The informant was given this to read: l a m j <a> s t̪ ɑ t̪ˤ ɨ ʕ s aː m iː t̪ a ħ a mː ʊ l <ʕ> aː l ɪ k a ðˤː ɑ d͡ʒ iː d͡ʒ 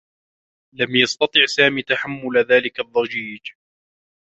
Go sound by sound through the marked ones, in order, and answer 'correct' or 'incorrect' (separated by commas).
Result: incorrect, incorrect